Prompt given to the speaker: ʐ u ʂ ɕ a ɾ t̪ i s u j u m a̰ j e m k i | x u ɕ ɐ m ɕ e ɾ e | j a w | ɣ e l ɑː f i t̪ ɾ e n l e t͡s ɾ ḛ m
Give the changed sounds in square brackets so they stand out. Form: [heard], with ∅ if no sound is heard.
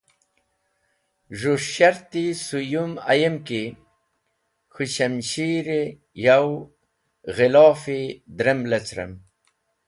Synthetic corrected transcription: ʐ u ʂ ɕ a ɾ t̪ i s u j u m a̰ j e m k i | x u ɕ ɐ m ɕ [i] ɾ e | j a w | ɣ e l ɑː f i [d̪] ɾ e [m] l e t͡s ɾ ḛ m